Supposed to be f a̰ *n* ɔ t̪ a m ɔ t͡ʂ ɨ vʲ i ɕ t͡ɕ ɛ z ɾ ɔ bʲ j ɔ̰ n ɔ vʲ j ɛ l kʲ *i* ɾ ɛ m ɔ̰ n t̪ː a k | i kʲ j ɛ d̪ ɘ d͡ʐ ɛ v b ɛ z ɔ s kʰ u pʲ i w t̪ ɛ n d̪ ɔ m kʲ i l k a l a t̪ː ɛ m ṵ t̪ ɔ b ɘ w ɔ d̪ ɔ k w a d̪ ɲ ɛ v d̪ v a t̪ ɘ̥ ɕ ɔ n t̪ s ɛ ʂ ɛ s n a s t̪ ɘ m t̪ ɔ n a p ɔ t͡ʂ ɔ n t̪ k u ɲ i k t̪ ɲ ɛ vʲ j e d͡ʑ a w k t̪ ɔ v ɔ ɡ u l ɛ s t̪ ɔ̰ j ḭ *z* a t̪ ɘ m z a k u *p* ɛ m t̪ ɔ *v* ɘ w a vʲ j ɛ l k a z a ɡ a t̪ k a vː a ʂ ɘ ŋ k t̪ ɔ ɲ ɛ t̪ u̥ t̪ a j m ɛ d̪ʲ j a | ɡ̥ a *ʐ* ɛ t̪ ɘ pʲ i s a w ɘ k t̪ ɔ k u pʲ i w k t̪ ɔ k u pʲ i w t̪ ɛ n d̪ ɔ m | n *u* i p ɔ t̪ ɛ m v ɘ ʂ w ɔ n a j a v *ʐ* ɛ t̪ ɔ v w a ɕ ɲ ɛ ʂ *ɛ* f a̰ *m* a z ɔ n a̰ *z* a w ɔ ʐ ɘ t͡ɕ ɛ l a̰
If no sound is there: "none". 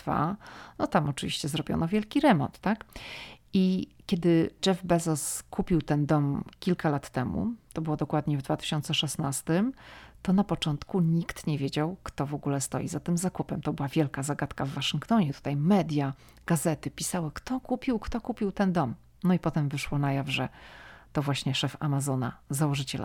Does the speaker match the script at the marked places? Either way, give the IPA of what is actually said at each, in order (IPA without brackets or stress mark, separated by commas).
n, i, z, p, b, z, ɔ, ʐ, ɛ, m, z